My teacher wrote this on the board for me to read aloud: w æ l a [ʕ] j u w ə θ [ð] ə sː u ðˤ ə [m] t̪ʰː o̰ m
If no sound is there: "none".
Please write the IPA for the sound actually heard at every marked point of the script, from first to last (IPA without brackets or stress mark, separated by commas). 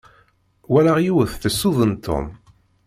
ʁ, θ, n